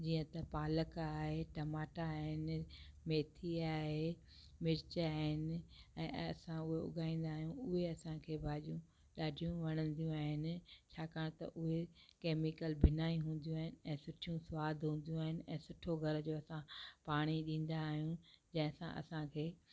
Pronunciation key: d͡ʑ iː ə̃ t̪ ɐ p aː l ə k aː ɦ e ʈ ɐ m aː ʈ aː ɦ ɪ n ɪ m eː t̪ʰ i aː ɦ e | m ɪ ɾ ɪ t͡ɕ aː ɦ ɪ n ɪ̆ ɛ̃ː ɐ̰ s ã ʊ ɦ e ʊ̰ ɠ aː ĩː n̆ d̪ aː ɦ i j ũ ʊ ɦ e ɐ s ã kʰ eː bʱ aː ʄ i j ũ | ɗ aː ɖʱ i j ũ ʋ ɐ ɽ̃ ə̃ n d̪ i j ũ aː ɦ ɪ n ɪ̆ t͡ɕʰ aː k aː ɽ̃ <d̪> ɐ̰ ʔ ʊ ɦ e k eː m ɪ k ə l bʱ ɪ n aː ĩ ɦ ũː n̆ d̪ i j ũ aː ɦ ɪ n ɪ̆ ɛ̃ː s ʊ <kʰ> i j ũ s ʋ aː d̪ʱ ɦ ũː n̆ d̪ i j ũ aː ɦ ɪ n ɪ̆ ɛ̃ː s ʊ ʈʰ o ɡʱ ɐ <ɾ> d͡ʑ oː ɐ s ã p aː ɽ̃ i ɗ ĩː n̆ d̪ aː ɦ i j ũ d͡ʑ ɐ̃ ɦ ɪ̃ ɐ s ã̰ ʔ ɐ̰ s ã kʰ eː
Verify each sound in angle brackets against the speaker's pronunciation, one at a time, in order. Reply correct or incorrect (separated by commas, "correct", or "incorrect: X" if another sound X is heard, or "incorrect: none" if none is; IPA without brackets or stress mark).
incorrect: t̪, incorrect: ʈʰ, correct